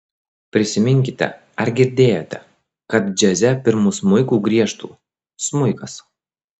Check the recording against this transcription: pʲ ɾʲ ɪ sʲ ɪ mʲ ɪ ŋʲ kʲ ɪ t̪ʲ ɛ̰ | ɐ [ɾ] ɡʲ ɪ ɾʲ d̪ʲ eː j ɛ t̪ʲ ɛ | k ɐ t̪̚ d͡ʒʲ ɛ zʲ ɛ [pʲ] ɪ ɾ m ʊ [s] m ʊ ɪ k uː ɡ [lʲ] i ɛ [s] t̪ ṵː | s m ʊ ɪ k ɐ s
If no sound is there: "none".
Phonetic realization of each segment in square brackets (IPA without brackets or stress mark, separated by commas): ɾ, pʲ, s, ɾʲ, ʃ